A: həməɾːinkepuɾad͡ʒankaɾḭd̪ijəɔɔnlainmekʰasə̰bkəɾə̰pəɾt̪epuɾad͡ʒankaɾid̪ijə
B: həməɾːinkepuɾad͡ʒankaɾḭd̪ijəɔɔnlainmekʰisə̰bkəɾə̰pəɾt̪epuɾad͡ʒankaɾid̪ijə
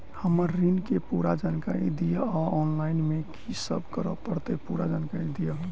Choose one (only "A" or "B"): B